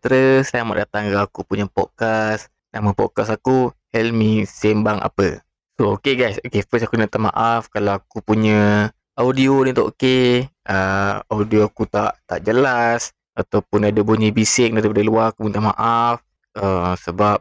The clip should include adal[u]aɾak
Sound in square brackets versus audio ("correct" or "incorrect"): correct